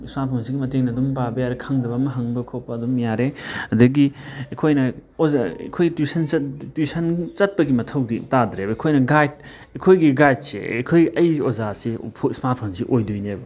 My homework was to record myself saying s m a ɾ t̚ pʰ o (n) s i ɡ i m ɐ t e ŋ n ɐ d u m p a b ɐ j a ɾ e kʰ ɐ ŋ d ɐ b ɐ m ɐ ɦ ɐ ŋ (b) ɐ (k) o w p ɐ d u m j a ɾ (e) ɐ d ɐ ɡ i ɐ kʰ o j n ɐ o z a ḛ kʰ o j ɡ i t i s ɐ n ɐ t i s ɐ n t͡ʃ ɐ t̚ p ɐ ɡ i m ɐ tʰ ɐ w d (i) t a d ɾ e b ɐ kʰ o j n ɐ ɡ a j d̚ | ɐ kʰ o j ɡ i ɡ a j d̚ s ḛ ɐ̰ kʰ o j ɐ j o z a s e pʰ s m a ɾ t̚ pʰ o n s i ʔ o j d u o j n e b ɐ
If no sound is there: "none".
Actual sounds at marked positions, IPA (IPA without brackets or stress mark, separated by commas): n, b, kʰ, e, i